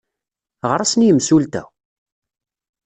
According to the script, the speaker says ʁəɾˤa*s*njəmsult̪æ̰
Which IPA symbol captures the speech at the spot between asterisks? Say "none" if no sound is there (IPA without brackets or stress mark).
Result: s